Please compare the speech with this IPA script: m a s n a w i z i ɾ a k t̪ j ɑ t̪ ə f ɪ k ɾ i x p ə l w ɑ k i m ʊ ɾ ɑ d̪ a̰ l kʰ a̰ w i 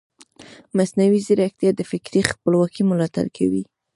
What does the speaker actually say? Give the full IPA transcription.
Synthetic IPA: m a s n a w i z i ɾ a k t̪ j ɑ d̪ ə f ɪ k ɾ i x p ə l w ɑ k i m ʊ l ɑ t̪ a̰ l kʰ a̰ w i